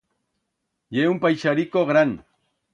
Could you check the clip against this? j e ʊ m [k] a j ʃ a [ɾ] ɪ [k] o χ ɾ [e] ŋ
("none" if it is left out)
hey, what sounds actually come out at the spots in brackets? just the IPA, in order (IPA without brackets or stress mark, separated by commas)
p, ɾ, k, a